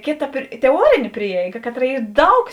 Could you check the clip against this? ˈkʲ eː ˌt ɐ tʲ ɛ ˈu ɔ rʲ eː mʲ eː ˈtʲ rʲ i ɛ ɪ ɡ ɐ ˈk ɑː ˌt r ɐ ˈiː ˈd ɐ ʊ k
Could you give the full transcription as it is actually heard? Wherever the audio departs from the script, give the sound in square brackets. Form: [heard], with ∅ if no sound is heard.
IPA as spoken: ˈkʲ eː ˌt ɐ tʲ ɛ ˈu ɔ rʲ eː [nʲ] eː [ˈpʲ] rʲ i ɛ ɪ ɡ ɐ ˈk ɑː ˌt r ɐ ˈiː ˈd ɐ ʊ k